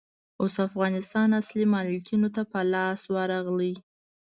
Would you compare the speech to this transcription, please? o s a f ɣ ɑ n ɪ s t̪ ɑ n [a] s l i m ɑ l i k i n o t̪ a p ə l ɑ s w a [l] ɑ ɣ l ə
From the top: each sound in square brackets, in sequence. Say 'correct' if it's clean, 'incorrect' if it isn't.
correct, incorrect

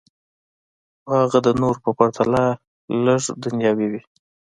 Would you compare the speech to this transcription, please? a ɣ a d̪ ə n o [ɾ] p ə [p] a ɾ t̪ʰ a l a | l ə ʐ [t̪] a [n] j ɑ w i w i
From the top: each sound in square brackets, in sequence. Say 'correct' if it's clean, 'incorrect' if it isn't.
correct, correct, incorrect, correct

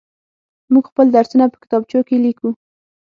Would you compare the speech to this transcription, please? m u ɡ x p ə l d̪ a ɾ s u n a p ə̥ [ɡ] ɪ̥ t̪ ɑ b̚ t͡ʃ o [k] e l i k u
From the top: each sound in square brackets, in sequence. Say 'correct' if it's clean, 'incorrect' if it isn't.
incorrect, correct

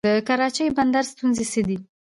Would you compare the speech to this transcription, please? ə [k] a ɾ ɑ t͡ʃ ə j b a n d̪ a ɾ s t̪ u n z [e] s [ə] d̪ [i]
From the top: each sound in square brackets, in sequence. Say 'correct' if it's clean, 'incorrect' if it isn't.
correct, correct, correct, correct

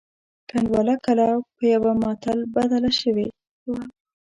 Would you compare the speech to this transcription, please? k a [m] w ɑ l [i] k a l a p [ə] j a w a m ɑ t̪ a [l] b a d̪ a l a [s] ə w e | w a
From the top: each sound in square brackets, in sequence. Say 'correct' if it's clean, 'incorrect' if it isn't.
incorrect, incorrect, correct, correct, incorrect

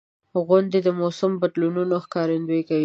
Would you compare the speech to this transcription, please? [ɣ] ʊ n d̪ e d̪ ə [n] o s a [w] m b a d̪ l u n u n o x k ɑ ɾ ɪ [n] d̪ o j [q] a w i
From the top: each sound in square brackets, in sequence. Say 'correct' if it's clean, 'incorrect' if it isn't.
correct, incorrect, incorrect, correct, incorrect

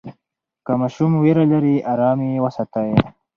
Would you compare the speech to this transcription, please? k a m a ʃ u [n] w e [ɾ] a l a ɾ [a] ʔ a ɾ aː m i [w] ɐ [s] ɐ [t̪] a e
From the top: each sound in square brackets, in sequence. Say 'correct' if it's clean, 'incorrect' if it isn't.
incorrect, correct, incorrect, correct, correct, correct

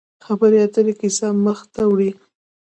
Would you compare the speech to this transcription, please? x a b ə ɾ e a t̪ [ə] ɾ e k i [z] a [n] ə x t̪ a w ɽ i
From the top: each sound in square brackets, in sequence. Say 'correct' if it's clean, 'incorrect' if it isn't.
correct, incorrect, incorrect

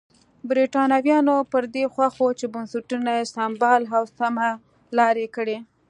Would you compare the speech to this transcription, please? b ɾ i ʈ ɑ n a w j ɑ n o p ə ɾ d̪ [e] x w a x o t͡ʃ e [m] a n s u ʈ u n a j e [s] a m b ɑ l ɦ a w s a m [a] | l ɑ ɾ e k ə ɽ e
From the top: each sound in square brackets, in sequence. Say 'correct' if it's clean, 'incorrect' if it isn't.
correct, incorrect, correct, correct

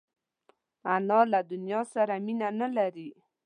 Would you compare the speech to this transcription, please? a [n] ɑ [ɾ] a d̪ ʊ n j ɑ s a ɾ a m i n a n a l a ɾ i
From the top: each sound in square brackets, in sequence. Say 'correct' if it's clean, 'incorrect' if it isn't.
correct, incorrect

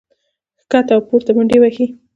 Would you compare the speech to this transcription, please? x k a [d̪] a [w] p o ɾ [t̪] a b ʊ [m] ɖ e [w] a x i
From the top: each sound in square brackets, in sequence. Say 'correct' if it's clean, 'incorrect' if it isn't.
incorrect, correct, correct, incorrect, correct

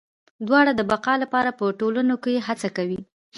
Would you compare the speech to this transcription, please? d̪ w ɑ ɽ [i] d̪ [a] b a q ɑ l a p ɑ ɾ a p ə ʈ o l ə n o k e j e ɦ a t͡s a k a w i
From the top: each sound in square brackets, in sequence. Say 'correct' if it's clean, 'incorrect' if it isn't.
incorrect, incorrect

